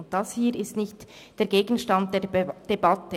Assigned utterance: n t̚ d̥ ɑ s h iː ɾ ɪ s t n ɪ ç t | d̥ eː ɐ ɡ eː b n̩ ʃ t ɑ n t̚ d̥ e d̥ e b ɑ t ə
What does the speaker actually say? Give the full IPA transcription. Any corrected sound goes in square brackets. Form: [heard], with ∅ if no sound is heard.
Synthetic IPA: n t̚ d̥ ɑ s h iː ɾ ɪ s t n ɪ ç t | d̥ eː ɐ ɡ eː [ɡ] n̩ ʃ t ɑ n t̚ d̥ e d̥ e b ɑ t ə